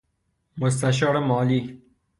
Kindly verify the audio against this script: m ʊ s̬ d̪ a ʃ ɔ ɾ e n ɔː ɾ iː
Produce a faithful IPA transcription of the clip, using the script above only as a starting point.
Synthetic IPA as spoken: m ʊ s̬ t̪ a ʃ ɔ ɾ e m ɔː l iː

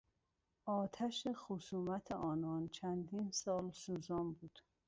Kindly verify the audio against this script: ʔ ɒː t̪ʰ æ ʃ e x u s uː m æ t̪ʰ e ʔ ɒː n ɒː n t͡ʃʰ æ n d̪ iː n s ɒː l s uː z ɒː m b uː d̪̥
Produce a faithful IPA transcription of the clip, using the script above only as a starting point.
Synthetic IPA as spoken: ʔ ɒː t̪ʰ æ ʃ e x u s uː m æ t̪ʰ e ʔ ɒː n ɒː n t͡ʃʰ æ n d̪ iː n s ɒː l s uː z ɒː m b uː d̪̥

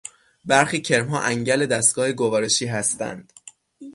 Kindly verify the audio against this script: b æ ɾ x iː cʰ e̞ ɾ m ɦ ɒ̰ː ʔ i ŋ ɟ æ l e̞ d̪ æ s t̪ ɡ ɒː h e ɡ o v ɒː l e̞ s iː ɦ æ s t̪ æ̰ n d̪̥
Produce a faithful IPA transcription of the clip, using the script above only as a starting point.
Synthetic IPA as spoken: b æ ɾ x iː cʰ e̞ ɾ m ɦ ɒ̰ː ʔ æ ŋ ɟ æ l e̞ d̪ æ s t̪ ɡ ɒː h e ɡ o v ɒː ɾ e̞ ʃ iː ɦ æ s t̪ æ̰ n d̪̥

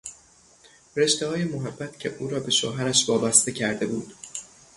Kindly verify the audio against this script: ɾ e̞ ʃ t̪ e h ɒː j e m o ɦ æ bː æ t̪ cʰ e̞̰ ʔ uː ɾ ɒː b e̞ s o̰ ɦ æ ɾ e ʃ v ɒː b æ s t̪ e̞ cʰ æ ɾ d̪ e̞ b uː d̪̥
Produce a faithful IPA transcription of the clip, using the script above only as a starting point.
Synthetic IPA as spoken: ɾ e̞ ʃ t̪ e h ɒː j e m o ɦ æ bː æ t̪ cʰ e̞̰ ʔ uː ɾ ɒː b e̞ ʃ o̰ ɦ æ ɾ æ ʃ v ɒː b æ s t̪ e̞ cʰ æ ɾ d̪ e̞ b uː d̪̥

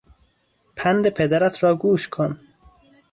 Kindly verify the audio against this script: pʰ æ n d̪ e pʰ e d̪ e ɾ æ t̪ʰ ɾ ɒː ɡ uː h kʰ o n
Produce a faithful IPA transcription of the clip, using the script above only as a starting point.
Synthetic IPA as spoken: pʰ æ n d̪ e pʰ e d̪ æ ɾ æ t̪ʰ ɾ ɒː ɡ uː ʃ kʰ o n

